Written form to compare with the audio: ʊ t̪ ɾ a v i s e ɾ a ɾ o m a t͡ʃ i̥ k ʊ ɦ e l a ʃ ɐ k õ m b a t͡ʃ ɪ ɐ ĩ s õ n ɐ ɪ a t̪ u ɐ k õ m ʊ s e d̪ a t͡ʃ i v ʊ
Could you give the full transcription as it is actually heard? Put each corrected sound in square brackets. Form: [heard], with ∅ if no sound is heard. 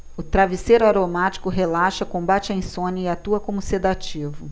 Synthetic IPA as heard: ʊ t̪ ɾ a v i s e ɾ a ɾ o m a t͡ʃ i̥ k ʊ ɦ e l a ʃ ɐ k õ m b a t͡ʃ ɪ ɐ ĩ s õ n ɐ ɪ a t̪ u ɐ k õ m ʊ s e d̪ a t͡ʃ i v ʊ